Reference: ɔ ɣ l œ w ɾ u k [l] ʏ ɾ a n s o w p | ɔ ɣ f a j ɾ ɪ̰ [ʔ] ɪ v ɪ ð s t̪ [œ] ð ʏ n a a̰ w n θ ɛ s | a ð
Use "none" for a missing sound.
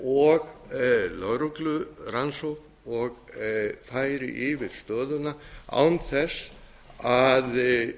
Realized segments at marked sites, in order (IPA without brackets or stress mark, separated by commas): l, ʔ, œː